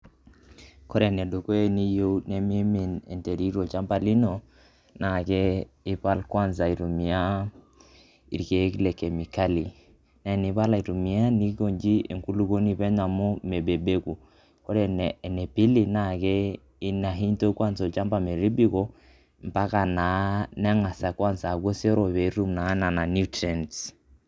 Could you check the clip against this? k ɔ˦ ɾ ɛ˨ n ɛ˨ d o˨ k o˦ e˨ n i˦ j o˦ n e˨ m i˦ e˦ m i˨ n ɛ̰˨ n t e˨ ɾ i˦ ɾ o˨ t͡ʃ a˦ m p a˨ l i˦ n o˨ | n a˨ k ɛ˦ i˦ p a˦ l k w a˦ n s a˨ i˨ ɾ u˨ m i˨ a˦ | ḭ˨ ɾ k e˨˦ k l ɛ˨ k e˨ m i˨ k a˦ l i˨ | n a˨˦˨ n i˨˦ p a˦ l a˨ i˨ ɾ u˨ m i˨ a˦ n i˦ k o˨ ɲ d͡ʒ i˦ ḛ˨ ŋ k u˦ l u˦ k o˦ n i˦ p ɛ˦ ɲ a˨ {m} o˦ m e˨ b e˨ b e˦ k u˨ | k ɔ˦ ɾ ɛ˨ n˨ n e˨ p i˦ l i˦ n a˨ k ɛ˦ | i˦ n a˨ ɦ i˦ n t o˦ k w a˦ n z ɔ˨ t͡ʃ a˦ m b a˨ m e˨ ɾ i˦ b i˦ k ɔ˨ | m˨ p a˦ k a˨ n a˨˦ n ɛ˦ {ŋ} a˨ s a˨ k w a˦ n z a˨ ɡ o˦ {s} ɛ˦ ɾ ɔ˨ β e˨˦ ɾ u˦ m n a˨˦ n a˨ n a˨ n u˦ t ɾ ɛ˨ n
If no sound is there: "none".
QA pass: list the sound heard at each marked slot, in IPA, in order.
m, ŋ, s

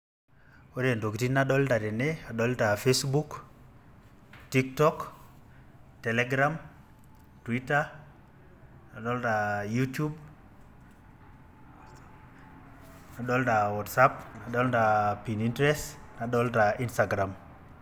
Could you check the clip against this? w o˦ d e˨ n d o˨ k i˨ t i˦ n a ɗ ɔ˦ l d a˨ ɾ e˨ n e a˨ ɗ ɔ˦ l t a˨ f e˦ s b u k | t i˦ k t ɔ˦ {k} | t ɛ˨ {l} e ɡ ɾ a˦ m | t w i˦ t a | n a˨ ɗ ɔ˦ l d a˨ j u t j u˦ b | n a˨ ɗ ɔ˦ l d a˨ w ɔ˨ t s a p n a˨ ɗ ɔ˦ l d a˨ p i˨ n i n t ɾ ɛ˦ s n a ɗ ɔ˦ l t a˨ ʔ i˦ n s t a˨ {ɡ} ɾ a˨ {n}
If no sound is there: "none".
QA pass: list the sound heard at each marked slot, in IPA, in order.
k, l, ɡ, m

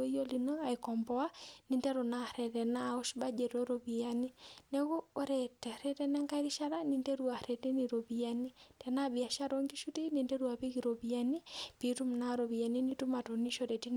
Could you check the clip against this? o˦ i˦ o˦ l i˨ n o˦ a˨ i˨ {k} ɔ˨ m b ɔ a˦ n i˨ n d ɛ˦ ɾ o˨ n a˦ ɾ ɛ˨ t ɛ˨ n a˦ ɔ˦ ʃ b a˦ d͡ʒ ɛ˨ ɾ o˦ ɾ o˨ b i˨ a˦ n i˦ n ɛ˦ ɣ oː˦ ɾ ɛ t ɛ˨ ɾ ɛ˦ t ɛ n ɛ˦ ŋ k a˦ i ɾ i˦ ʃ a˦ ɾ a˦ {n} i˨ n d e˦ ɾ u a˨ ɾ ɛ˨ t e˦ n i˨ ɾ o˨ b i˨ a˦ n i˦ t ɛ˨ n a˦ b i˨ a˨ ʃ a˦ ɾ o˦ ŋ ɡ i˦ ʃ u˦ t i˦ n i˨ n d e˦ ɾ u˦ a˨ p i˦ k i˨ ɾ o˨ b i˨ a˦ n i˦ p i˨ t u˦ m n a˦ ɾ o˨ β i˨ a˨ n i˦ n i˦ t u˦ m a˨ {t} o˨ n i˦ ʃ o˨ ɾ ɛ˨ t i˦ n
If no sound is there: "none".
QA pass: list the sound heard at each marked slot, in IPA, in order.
k, n, t

